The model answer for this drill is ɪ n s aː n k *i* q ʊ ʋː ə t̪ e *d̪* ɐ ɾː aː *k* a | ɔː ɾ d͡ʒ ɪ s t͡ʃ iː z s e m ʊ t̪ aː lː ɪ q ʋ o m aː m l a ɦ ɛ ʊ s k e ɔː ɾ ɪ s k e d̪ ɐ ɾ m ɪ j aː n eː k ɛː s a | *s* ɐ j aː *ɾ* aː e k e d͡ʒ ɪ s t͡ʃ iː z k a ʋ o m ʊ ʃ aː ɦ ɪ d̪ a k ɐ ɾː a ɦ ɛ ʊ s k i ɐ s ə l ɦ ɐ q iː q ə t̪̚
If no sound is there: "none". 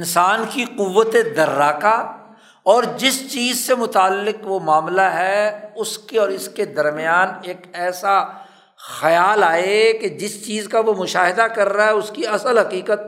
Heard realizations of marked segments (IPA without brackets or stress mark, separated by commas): i, d̪, k, x, l